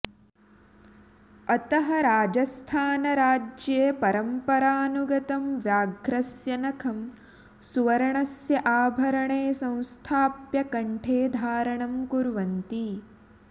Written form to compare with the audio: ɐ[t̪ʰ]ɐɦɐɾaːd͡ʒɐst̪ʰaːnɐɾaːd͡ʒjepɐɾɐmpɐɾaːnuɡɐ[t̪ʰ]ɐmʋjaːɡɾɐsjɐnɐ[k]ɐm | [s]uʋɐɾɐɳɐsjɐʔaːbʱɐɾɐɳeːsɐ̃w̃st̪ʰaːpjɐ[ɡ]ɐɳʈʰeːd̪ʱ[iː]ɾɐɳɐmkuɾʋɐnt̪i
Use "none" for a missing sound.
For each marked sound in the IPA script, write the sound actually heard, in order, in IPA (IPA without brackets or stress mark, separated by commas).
t̪, t̪, kʰ, s, k, aː